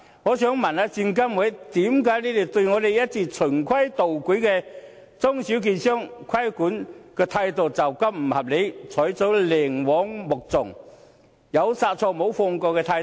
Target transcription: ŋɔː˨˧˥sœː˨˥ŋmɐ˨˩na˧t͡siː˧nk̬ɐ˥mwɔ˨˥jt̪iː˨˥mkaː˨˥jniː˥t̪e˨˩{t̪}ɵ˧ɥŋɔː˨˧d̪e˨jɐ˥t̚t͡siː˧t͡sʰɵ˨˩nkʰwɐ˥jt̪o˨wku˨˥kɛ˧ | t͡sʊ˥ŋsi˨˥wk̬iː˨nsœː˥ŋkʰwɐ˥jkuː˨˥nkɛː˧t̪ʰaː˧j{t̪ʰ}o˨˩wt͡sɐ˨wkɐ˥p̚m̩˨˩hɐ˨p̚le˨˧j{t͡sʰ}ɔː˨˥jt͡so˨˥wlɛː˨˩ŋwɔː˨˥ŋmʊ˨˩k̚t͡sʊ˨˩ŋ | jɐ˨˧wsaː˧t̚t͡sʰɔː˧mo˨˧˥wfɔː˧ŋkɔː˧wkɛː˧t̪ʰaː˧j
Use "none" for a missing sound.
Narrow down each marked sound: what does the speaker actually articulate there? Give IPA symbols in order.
t̪, t̪, t͡sʰ

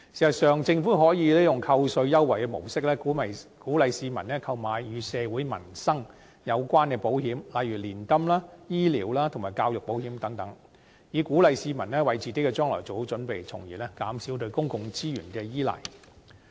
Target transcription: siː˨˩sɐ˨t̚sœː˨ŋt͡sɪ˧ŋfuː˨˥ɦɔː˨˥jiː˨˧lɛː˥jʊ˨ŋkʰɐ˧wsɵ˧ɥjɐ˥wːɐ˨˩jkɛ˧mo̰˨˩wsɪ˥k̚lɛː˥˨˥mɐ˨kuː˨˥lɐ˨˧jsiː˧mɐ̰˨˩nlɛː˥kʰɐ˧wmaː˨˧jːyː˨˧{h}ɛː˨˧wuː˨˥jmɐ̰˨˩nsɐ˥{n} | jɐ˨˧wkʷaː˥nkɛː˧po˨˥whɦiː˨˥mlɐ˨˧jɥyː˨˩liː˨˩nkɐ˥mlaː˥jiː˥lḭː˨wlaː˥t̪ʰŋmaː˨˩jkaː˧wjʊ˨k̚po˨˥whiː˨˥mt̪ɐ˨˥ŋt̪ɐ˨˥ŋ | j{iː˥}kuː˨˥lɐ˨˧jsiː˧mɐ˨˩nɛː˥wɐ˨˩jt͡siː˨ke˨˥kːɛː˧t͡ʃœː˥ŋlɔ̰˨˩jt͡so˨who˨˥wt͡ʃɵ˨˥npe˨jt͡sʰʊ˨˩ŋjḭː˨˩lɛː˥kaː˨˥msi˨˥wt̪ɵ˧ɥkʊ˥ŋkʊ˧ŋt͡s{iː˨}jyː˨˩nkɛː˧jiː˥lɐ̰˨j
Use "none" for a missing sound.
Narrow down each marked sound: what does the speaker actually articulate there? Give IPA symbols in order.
s, ŋ, iː˨, iː˥

